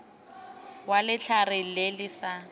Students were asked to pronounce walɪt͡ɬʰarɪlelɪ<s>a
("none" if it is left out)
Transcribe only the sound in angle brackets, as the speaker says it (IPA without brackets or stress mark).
s